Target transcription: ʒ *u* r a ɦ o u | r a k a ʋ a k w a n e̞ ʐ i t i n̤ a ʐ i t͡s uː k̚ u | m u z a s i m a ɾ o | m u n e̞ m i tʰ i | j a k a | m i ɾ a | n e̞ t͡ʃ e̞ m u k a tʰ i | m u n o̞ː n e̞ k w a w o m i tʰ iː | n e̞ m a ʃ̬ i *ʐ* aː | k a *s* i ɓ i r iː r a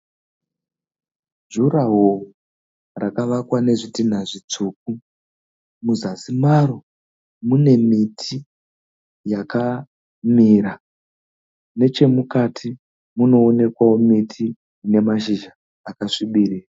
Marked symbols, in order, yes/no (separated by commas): yes, no, no